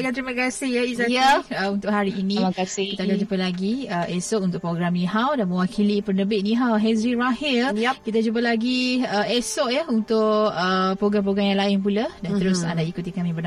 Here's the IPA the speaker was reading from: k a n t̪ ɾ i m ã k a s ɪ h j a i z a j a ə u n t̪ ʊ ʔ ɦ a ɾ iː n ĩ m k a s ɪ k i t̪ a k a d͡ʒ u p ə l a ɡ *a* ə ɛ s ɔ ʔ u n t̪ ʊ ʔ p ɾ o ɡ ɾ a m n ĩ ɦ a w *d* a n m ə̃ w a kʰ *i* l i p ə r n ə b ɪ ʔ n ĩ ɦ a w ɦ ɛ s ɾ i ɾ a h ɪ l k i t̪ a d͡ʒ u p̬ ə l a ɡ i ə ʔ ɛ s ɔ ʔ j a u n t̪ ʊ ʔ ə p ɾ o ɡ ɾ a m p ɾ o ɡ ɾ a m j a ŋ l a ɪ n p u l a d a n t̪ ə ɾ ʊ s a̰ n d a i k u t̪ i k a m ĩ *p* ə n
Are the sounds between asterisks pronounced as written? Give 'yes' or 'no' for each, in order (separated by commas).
no, yes, yes, no